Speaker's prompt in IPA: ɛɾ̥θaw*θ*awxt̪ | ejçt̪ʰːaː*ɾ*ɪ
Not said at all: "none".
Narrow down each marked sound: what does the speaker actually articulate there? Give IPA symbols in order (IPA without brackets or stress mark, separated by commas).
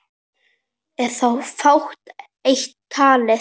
f, l